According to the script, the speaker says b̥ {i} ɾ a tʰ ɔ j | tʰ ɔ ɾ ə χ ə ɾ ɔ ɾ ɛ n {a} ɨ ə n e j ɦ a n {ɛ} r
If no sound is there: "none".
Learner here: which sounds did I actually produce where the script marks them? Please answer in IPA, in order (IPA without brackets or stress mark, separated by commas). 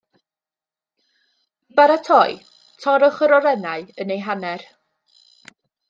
a, a, ɛ